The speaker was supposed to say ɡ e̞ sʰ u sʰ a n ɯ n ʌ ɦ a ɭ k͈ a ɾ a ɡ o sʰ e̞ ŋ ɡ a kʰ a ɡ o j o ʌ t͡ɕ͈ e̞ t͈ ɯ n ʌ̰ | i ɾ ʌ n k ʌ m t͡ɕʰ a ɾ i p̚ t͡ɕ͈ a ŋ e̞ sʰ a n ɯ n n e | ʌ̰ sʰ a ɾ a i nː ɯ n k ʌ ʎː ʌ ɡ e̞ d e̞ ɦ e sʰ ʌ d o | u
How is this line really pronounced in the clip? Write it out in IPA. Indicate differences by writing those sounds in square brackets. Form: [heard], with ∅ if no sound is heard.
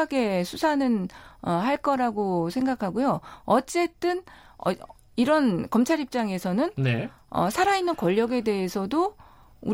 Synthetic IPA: ɡ e̞ sʰ u sʰ a n ɯ n ʌ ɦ a ɭ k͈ [ʌ] ɾ a ɡ o sʰ e̞ ŋ ɡ a kʰ a ɡ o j o ʌ t͡ɕ͈ e̞ t͈ ɯ n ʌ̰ | i ɾ ʌ n k ʌ m t͡ɕʰ a ɾ i p̚ t͡ɕ͈ a ŋ e̞ sʰ [ʌ] n ɯ n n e | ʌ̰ sʰ a ɾ a i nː ɯ n k ʌ ʎː ʌ ɡ e̞ d e̞ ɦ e sʰ ʌ d o | u